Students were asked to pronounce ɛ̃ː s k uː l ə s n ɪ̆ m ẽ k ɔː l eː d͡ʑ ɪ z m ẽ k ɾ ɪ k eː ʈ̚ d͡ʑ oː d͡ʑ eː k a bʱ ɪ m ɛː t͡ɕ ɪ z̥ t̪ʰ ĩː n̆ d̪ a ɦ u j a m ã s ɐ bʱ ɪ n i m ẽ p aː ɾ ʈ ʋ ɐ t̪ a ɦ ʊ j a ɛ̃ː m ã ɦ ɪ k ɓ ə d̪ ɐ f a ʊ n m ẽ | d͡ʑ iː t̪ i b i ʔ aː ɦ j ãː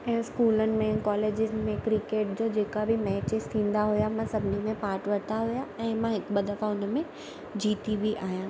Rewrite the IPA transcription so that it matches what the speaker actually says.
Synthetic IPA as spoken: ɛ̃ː s k uː l ə n ɪ̆ m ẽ k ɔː l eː d͡ʑ ɪ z m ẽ k ɾ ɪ k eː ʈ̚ d͡ʑ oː d͡ʑ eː k a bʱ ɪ m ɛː t͡ɕ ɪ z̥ t̪ʰ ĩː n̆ d̪ a ɦ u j a m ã s ɐ bʱ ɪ n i m ẽ p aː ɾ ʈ ʋ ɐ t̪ a ɦ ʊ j a ɛ̃ː m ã ɦ ɪ k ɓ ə d̪ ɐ f a ʊ n m ẽ | d͡ʑ iː t̪ i b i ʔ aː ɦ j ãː